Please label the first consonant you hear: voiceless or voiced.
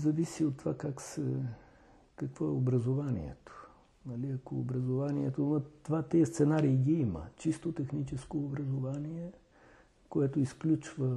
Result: voiced